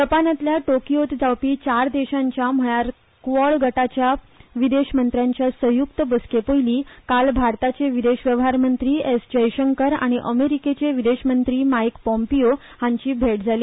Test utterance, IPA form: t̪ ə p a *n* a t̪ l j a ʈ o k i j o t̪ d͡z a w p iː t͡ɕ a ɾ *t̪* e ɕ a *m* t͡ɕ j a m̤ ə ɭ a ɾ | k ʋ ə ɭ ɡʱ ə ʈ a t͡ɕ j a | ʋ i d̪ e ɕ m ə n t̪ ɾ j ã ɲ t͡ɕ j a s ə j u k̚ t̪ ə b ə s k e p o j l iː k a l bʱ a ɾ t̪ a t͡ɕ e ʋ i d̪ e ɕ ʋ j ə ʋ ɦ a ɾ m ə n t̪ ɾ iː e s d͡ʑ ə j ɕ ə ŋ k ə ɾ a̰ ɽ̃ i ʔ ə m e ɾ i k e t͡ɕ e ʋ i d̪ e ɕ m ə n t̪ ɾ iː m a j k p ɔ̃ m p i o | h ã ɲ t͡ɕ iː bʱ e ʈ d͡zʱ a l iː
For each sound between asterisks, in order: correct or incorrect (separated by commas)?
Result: correct, incorrect, incorrect